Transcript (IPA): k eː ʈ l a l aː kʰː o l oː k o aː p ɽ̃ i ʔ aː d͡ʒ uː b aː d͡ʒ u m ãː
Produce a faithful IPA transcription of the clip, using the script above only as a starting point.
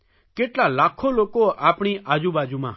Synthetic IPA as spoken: k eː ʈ l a l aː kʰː o l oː k o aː p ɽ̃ i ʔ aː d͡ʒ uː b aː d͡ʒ u m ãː

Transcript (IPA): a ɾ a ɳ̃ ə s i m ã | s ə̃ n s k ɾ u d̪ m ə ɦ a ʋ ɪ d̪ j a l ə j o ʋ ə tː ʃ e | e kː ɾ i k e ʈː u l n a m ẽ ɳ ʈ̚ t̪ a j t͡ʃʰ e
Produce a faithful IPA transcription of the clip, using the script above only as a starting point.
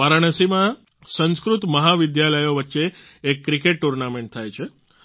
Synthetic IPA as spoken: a ɾ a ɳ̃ ə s i m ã | s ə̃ n s k ɾ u t̪ m ə ɦ a ʋ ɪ d̪ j a l ə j o ʋ ə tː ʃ e | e kː ɾ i k e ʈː u ɾ n a m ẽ ɳ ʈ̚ t̪ʰ a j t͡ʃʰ e

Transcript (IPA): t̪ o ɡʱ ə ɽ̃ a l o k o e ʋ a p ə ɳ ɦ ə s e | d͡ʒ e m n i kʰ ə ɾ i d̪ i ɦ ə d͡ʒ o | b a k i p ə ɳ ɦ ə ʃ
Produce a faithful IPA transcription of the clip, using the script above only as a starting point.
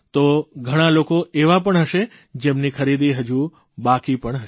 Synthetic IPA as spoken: t̪ o ɡʱ ə ɽ̃ a l o k o e ʋ a p ə ɳ ɦ ə ʃ e | d͡ʒ e m n i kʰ ə ɾ i d̪ i ɦ ə d͡ʒ u | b a k i p ə ɳ ɦ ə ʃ

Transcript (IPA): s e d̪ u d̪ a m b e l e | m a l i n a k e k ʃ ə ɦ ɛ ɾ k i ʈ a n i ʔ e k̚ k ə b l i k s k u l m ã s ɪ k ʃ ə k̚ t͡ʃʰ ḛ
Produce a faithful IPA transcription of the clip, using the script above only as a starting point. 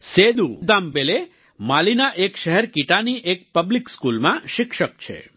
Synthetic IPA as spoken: s e d̪ u d̪ a m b e l e | m a l i n a ʔ e k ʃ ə ɦ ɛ ɾ k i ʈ a n i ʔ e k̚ p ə b l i k s k u l m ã ʃ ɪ k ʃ ə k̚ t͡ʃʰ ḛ

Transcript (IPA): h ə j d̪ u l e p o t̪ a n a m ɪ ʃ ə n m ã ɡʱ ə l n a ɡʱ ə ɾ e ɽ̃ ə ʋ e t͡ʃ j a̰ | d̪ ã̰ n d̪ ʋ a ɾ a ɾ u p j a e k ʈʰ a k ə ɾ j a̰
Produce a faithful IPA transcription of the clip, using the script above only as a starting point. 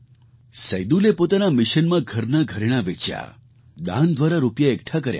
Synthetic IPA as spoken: s ə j d̪ u l e p o t̪ a n a m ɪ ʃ ə n m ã ɡʱ ə ɾ n a ɡʱ ə ɾ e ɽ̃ a ʋ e t͡ʃ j a̰ | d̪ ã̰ n d̪ ʋ a ɾ a ɾ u p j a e k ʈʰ a k ə ɾ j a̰

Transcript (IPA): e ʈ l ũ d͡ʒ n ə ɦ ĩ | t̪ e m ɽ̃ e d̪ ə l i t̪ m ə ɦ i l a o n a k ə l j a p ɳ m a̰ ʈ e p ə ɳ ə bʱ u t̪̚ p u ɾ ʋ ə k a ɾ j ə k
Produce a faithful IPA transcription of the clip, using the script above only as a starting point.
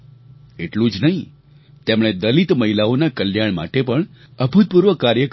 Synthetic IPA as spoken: e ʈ l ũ d͡ʒ n ə ɦ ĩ | t̪ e m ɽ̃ e d̪ ə l i t̪ m ə ɦ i l a o n a k ə l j a ɳ m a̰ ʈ e p ə ɳ ə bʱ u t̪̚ p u ɾ ʋ ə k a ɾ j ə k

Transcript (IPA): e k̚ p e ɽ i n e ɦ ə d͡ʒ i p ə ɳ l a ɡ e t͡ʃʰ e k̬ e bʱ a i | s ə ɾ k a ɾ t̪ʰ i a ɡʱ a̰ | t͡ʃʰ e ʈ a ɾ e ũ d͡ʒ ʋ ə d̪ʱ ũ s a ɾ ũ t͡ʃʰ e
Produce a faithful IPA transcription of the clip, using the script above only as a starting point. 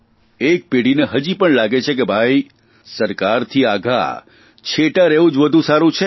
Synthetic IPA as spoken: e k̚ p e ɽ i n e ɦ ə d͡ʒ i p ə ɳ l a ɡ e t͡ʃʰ e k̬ e bʱ a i | s ə ɾ k a ɾ t̪ʰ i a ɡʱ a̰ | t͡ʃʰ e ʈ a ɾ e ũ d͡ʒ ʋ ə d̪ʱ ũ s a ɾ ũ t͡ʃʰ e

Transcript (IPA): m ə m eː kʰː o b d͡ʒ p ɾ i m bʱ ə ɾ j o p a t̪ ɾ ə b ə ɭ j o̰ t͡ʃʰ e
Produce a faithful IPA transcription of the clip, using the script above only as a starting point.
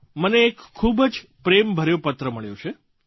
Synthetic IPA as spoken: m ə n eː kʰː u b d͡ʒ p ɾ e m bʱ ə ɾ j o p ə t̪ ɾ ə m ə ɭ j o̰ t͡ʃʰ e

